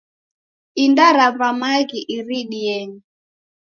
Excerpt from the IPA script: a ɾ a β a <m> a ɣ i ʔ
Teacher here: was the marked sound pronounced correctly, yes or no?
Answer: yes